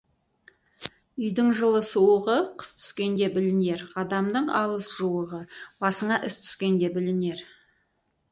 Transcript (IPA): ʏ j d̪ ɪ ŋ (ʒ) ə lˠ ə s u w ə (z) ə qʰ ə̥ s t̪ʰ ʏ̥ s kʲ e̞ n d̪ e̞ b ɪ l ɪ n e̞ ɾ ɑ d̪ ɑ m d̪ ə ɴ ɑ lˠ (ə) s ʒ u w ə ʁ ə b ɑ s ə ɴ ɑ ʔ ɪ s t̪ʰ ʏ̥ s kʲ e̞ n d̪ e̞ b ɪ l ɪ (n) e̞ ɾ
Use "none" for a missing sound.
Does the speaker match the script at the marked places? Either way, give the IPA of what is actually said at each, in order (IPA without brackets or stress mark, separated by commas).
ʒ, ʁ, ə, n